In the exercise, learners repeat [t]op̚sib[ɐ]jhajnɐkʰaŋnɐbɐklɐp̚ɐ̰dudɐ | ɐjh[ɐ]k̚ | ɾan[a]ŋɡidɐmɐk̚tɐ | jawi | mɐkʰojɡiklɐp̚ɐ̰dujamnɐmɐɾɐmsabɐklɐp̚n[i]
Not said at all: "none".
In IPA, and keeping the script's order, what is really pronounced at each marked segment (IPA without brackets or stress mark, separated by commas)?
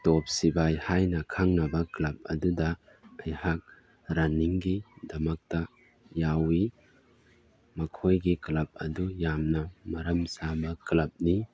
t, a, a, i, i